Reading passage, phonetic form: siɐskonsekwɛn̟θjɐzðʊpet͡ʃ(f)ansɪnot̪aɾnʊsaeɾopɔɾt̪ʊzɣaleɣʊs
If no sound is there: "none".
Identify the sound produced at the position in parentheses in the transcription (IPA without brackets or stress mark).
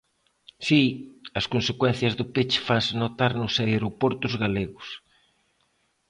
f